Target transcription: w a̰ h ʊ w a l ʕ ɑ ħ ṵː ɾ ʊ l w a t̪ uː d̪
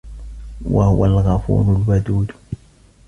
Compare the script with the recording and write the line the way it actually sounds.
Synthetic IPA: w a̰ h ʊ w a l ɣ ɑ f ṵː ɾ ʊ l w a d̪ uː d̪